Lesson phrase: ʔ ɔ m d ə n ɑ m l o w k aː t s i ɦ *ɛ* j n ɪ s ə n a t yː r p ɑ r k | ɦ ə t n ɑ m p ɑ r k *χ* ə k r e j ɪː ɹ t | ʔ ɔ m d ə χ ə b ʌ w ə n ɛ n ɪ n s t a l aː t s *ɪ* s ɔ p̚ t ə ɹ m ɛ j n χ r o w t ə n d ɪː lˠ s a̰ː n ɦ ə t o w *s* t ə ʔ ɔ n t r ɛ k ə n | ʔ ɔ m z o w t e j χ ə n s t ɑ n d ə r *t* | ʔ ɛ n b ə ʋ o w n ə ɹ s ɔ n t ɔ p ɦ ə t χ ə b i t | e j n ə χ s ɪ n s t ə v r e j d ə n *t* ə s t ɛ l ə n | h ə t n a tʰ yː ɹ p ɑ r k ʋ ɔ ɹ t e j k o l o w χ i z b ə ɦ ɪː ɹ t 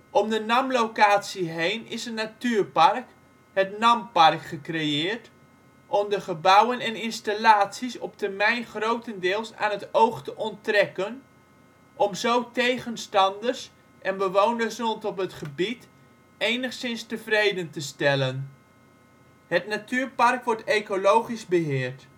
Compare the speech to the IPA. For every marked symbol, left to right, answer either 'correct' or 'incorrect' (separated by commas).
incorrect, correct, incorrect, incorrect, incorrect, correct